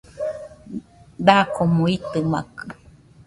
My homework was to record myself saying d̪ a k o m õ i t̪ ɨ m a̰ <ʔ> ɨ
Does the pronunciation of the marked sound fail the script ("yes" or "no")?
yes